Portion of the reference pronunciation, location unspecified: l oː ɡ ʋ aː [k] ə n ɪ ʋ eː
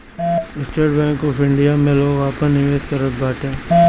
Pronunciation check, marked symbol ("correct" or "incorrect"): incorrect